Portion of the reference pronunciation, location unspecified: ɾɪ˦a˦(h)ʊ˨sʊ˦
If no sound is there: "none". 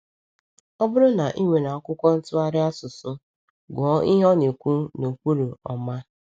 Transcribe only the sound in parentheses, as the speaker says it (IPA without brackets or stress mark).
s